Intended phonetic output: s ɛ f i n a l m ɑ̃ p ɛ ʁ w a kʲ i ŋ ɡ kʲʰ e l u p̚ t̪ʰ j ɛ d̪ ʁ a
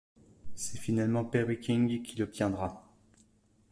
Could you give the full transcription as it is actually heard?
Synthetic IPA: s ɛ f i n a l m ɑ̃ p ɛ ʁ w i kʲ i ŋ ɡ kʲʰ i l ɔ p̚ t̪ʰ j ɛ̃ d̪ ʁ a